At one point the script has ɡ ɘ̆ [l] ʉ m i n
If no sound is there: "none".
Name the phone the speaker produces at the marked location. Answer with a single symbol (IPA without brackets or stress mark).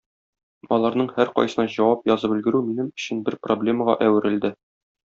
ɾ